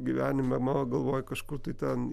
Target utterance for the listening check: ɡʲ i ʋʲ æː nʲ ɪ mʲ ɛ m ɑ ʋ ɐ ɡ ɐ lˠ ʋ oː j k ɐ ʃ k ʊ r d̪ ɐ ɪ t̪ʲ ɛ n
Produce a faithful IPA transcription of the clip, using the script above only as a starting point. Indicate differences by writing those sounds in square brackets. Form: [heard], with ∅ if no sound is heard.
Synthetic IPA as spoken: ɡʲ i ʋʲ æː nʲ ɪ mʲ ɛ m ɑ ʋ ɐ ɡ ɐ lˠ ʋ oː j k ɐ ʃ k ʊ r [t̪] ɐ ɪ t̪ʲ ɛ n